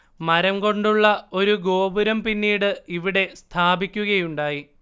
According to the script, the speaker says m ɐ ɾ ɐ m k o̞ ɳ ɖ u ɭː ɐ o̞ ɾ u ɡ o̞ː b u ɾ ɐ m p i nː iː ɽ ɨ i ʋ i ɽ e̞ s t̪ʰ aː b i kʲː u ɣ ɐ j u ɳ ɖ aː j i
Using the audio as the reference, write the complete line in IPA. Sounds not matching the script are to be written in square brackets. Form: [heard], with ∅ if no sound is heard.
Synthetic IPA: m ɐ ɾ ɐ m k o̞ ɳ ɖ u ɭː ɐ o̞ ɾ u ɡ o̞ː b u ɾ ɐ m p i nː iː ɽ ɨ i ʋ i ɽ e̞ s t̪ʰ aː b i kʲː u ɣ ɐ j u ɳ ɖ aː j i